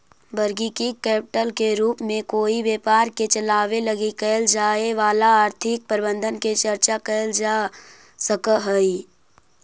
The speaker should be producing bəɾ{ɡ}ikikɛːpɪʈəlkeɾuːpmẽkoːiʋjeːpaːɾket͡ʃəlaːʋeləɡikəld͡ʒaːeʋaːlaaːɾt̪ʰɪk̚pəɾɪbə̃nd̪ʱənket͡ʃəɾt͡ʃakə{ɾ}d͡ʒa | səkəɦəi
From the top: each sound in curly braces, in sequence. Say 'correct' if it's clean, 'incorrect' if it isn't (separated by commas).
correct, incorrect